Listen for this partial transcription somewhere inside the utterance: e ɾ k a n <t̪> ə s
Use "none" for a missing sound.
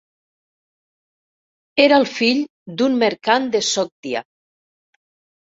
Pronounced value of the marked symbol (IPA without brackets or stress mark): d̪